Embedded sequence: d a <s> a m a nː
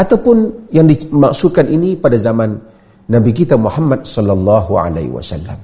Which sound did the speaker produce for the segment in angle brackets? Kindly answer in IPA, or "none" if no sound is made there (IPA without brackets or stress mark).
z